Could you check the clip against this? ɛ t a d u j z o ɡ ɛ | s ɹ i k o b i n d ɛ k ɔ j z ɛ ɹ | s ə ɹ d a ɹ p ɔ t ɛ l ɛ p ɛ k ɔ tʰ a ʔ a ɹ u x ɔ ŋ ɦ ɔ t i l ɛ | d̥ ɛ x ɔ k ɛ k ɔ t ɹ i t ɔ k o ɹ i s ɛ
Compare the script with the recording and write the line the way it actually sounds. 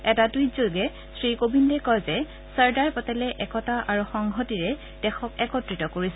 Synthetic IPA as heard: ɛ t a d u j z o ɡ ɛ | s ɹ i k o b i n d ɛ k ɔ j z ɛ | s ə ɹ d a ɹ p ɔ t ɛ l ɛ ʔ ɛ k ɔ t a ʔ a ɹ u x ɔ ŋ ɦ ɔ t i ɹ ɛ | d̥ ɛ x ɔ k ɛ k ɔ t ɹ i t ɔ k o ɹ i s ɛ

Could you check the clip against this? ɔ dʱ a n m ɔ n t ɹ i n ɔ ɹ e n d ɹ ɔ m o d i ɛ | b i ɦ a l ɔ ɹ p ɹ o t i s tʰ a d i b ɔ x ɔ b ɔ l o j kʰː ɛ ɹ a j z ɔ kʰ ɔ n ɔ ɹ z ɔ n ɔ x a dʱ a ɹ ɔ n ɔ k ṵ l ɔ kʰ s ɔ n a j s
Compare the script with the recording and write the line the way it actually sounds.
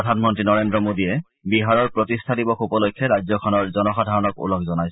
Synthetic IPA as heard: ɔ dʱ a n m ɔ n t ɹ i n ɔ ɹ e n d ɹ ɔ m o d i ɛ | b i ɦ a ɹ ɔ ɹ p ɹ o t i s tʰ a d i b ɔ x u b ɔ l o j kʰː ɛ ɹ a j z ɔ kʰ ɔ n ɔ ɹ z ɔ n ɔ x a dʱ a ɹ ɔ n ɔ k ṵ l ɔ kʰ z ɔ n a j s

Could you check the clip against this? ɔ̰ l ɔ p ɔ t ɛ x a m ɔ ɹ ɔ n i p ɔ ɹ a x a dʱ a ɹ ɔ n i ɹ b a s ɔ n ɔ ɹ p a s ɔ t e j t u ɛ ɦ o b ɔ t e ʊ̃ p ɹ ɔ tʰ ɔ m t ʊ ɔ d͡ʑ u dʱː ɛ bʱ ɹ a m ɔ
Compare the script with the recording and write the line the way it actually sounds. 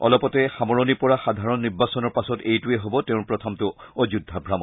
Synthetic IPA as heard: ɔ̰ l ɔ p ɔ t ɛ x a m ɔ ɹ ɔ n i p ɔ ɹ a x a dʱ a ɹ ɔ nː i ɹ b a s ɔ n ɔ ɹ p a s ɔ t e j t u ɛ ɦ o b ɔ t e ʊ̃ p ɹ ɔ tʰ ɔ m t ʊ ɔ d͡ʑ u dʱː a bʱ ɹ a m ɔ

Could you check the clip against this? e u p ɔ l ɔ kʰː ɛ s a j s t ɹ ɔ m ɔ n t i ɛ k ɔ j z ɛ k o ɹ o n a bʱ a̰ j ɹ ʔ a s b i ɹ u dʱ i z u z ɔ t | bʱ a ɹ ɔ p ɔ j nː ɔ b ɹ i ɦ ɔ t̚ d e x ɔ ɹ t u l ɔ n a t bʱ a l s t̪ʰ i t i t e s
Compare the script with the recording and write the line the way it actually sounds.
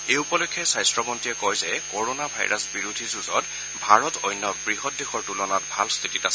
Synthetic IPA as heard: e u p ɔ l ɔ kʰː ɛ s a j s t ɹ ɔ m ɔ n t i ɛ k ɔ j z ɛ k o ɹ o n a bʱ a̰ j ɹ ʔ a s b i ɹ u dʱ i z u z ɔ t | bʱ a ɹ ɔ t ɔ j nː ɔ b ɹ i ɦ ɔ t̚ d e x ɔ ɹ t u l ɔ n a t bʱ a l s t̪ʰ i t i t a s

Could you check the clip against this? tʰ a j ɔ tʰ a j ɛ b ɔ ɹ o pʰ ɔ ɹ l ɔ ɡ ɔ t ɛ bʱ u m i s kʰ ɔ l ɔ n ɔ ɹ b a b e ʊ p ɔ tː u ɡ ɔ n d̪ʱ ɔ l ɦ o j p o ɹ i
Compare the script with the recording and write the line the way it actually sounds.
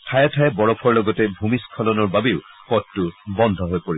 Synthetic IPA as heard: tʰ a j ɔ tʰ a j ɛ b ɔ ɹ ɔ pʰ ɔ ɹ l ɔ ɡ ɔ t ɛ bʱ u m i s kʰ ɔ l ɔ n ɔ ɹ b a b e ʊ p ɔ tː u b ɔ n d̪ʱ ɔ ɦ o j p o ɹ i

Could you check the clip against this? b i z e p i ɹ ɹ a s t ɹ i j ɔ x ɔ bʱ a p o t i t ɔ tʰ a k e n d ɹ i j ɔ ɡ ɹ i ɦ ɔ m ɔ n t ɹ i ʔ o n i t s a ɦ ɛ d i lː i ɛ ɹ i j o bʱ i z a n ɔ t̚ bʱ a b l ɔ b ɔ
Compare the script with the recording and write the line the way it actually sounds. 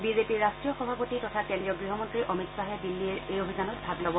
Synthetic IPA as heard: b i z e p i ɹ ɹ a s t ɹ i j ɔ x ɔ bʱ a p o t i t ɔ tʰ a k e n d ɹ i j ɔ ɡ ɹ i ɦ ɔ m ɔ n t ɹ i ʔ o m i t s a ɦ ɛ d i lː i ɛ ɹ e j o bʱ i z a n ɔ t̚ bʱ a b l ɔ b ɔ

